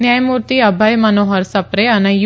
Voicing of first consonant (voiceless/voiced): voiced